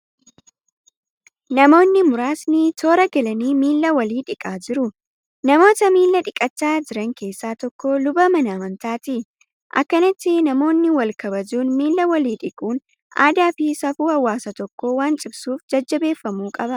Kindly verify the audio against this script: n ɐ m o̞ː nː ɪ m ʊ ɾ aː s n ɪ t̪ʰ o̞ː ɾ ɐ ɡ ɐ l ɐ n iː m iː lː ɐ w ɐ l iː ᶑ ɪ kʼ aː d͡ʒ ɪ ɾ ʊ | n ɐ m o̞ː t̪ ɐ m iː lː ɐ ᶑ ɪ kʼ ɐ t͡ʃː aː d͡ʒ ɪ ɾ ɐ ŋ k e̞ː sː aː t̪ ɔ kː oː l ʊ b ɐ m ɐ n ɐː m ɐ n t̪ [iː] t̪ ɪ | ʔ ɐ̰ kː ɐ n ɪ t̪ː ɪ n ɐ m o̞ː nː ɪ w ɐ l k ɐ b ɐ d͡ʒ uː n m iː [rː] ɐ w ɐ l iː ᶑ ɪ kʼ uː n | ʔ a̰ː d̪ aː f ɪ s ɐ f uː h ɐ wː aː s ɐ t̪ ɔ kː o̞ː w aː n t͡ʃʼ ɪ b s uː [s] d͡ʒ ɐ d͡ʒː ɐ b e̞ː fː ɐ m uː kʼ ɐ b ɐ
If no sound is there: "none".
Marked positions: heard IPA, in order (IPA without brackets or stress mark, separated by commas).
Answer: aː, lː, f